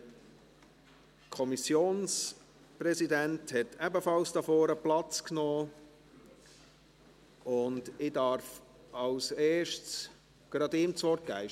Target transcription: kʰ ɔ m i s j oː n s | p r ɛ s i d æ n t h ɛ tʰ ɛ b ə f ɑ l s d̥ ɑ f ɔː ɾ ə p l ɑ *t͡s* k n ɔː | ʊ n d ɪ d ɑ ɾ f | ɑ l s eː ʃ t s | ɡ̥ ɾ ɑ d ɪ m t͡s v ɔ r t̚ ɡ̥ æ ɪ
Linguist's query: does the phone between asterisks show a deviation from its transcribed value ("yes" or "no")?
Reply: no